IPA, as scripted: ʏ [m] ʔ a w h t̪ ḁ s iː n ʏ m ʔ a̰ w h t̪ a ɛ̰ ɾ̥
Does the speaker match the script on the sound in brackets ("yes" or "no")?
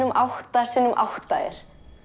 yes